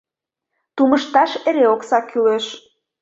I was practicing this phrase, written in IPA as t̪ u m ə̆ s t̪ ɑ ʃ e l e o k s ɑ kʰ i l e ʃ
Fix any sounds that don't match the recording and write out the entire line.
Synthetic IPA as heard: t̪ u m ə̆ ʃ t̪ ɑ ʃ e ɾ e o k s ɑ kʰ y l e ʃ